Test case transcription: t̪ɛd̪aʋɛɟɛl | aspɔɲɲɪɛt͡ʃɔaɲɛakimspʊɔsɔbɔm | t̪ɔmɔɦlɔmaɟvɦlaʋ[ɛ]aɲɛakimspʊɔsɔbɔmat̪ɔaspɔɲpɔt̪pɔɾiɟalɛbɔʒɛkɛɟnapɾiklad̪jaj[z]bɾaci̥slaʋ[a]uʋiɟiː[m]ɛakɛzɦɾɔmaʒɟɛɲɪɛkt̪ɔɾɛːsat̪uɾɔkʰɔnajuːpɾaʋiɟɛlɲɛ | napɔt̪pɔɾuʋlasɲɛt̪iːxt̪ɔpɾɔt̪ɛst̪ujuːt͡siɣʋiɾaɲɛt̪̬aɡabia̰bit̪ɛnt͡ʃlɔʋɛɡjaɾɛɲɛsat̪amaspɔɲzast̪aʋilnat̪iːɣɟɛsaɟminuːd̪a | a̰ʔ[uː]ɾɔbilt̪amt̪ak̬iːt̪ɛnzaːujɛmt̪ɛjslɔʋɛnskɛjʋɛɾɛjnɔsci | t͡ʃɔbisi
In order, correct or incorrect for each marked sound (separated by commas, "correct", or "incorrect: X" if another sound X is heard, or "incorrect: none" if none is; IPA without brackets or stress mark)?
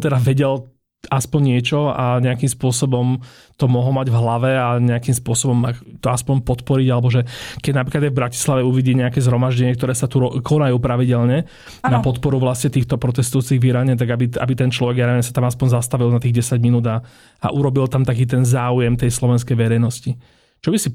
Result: correct, incorrect: v, incorrect: ɛ, incorrect: ɲ, incorrect: u